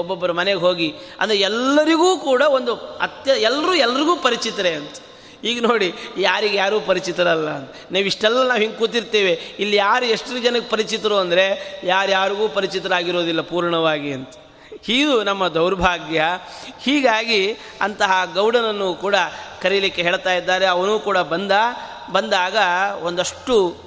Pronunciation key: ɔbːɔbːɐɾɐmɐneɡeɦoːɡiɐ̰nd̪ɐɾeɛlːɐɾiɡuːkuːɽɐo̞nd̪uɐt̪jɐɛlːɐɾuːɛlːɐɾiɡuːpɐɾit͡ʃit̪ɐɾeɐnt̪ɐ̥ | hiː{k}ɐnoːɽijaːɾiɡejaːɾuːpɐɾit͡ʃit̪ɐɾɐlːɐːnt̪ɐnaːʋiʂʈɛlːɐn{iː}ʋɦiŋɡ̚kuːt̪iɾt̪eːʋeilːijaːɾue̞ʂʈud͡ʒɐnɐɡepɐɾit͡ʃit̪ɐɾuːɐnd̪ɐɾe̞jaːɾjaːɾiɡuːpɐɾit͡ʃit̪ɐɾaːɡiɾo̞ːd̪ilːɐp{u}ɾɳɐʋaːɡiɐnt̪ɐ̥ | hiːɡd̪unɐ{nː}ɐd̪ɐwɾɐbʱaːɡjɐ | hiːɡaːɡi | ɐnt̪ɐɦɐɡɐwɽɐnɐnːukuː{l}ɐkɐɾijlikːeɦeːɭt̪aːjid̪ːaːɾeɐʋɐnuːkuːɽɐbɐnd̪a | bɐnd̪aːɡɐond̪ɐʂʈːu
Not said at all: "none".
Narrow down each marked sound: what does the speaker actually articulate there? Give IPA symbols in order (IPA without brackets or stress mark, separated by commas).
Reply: ɡ, aː, uː, mː, ɽ